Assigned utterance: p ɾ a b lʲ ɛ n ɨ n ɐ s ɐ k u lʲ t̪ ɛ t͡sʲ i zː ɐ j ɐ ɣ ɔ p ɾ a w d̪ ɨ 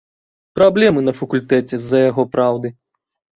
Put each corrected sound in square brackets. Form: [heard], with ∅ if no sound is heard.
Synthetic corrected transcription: p ɾ a b lʲ ɛ [m] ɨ n ɐ [f] ɐ k u lʲ t̪ ɛ t͡sʲ [ɛ] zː ɐ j [a] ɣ ɔ p ɾ a w d̪ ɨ